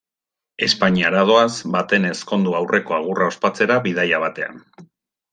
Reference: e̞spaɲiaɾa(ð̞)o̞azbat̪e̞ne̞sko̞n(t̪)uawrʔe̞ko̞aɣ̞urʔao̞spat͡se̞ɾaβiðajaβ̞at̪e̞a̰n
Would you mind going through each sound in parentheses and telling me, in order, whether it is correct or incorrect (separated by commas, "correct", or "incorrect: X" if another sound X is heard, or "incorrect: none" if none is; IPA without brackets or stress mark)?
correct, incorrect: d̪